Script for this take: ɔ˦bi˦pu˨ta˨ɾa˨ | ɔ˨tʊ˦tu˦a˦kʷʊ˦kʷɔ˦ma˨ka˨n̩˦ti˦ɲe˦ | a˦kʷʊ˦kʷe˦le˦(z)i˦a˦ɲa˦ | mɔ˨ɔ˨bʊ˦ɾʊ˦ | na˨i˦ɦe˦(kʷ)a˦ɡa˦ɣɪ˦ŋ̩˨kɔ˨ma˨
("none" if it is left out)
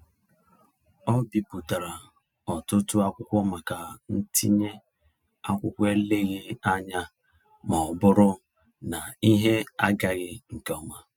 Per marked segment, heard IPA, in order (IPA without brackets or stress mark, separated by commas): ɣ, none